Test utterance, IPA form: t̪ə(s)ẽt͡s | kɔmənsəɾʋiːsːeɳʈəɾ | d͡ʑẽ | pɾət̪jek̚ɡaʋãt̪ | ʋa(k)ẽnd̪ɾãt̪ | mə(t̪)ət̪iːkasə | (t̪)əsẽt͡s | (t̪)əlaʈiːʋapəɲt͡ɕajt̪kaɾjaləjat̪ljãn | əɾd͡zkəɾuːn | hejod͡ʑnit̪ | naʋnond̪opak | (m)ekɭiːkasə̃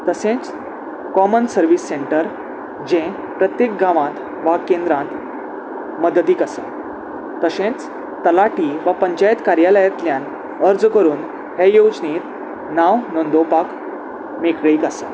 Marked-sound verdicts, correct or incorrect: correct, correct, incorrect, correct, correct, correct

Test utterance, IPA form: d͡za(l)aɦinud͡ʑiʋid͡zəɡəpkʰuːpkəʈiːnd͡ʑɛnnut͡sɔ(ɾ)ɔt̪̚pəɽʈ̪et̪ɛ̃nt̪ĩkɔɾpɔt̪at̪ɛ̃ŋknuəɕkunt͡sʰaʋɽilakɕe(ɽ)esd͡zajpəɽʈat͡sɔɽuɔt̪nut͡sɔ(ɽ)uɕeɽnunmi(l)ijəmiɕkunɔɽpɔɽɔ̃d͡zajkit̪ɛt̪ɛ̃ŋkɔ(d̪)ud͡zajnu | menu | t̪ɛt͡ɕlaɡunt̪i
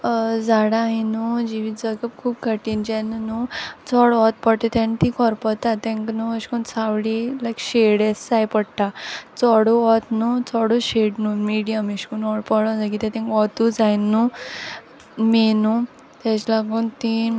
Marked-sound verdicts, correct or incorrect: incorrect, incorrect, correct, correct, incorrect, incorrect

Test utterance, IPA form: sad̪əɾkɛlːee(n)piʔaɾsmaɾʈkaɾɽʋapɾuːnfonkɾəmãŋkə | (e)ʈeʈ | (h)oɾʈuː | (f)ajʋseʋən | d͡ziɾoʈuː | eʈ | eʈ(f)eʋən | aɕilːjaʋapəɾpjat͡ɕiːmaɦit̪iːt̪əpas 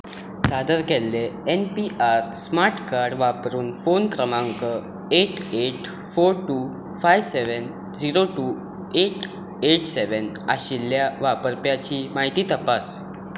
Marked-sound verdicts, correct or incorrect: correct, correct, incorrect, correct, incorrect

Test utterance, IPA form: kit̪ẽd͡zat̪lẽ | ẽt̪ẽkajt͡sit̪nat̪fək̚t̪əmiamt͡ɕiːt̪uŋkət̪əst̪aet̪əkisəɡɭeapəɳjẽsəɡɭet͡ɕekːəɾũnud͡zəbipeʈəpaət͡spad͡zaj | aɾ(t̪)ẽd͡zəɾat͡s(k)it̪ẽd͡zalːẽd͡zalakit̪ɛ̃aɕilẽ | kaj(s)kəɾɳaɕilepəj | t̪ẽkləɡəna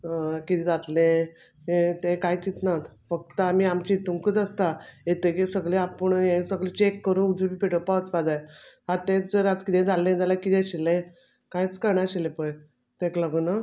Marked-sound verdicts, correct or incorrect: correct, correct, incorrect

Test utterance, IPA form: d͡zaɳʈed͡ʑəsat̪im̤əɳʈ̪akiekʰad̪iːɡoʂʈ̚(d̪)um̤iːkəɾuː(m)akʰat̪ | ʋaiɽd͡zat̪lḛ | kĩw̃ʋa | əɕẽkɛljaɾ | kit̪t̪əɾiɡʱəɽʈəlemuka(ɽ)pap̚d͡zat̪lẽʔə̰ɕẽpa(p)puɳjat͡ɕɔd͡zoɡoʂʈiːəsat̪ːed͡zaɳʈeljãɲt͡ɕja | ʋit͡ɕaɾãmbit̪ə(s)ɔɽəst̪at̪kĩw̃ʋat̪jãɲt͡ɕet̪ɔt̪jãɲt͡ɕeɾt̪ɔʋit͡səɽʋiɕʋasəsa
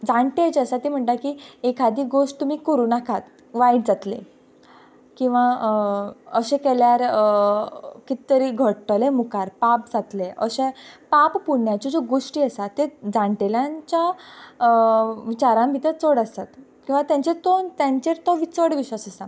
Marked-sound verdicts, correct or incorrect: incorrect, incorrect, incorrect, correct, incorrect

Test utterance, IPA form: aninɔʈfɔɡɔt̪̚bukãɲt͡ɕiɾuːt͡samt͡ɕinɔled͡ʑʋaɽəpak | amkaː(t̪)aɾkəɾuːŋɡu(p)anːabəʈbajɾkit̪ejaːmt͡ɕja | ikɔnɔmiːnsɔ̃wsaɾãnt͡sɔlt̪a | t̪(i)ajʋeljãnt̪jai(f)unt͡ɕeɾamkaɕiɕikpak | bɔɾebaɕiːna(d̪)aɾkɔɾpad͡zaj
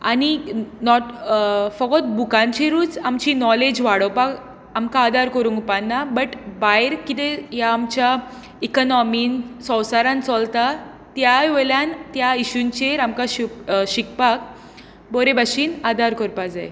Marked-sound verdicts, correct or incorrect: incorrect, correct, incorrect, incorrect, correct

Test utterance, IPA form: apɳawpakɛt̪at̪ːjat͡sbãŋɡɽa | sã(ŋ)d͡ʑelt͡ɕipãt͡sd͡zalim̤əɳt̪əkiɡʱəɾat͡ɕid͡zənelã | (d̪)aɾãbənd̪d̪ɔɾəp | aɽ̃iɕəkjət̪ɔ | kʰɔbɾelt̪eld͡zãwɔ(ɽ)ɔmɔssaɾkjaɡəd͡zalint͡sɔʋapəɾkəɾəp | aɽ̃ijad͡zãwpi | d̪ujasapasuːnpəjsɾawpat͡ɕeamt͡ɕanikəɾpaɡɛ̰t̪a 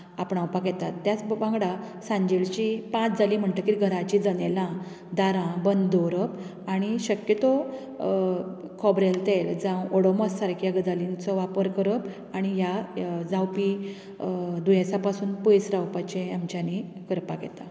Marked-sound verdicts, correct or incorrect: incorrect, correct, correct

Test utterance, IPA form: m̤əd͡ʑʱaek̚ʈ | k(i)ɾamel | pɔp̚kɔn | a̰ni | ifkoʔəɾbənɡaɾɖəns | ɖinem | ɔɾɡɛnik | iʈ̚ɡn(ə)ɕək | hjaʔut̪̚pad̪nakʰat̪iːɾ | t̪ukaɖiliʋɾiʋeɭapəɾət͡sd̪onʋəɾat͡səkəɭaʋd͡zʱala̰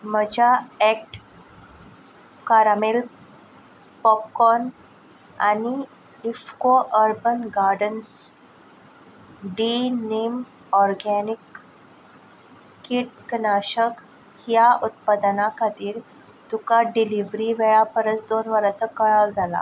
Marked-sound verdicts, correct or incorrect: incorrect, incorrect

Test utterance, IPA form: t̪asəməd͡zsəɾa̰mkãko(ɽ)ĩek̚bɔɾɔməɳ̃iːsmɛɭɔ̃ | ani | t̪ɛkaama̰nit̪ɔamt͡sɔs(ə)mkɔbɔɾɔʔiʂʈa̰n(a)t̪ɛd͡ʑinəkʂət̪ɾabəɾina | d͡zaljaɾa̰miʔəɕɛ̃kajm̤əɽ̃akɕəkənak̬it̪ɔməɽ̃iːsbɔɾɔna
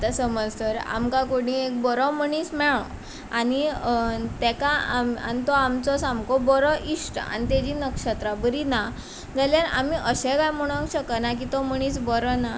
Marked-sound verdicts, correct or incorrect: correct, incorrect, incorrect

